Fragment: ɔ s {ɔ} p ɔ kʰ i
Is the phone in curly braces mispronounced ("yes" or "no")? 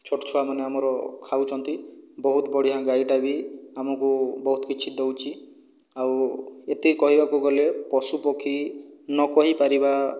yes